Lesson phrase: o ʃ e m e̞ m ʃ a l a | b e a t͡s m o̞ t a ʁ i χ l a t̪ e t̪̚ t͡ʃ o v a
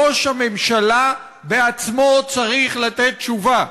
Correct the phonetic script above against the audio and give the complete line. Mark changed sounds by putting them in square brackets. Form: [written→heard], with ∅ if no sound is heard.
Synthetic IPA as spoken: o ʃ [e→a] m e̞ m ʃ a l a | b e a t͡s m o̞ [t→t͡s] a ʁ i χ l a t̪ e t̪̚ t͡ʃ [o→u] v a